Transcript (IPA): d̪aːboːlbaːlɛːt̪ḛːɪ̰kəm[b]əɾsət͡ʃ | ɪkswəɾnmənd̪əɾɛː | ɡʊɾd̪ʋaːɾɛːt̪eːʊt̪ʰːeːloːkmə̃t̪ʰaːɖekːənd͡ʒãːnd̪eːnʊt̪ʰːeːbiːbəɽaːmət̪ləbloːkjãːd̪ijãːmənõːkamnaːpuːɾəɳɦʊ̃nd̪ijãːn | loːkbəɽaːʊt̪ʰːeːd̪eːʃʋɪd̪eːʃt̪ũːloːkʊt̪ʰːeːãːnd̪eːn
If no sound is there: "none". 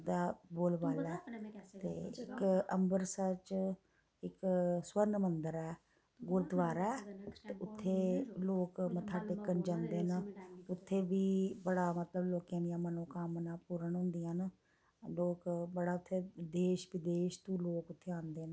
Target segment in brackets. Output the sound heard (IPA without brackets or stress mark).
b